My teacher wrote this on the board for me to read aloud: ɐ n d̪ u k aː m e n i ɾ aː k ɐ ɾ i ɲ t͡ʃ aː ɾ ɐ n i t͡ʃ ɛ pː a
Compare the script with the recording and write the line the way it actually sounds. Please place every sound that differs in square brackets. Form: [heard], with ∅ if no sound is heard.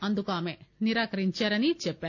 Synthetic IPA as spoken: ɐ n d̪ u k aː m e n i ɾ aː k ɐ ɾ i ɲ t͡ʃ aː ɾ ɐ n i t͡ʃ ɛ pː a